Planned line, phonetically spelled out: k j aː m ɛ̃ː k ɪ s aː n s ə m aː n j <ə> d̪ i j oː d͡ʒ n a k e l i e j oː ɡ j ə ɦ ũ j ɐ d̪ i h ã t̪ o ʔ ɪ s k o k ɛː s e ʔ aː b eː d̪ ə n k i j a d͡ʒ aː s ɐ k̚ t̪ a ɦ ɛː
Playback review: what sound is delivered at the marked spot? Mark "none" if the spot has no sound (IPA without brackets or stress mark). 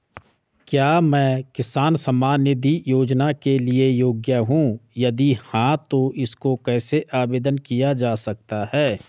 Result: ə